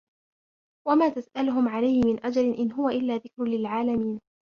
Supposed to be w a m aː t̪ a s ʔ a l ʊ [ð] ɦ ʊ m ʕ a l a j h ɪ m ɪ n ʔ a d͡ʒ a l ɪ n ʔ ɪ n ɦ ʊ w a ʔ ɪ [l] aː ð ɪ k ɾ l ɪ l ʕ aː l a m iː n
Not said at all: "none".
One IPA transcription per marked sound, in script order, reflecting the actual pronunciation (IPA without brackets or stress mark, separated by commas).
none, lː